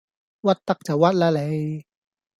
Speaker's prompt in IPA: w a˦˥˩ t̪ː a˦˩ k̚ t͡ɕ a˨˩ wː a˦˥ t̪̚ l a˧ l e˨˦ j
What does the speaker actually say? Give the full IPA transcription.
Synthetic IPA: w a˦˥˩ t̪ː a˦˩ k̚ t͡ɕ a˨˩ w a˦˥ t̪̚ l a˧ l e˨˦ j